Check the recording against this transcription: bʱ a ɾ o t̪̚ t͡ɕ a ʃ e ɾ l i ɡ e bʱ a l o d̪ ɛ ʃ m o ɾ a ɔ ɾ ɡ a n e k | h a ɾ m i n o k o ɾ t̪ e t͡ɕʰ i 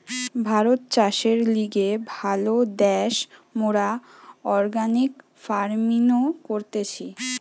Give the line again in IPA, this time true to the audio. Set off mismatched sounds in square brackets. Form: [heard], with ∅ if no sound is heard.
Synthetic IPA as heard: bʱ a ɾ o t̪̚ t͡ɕ a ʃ e ɾ l i ɡ e bʱ a l o d̪ ɛ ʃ m o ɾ a ɔ ɾ ɡ a n [i] k | [f] a ɾ m i n o k o ɾ t̪ e t͡ɕʰ i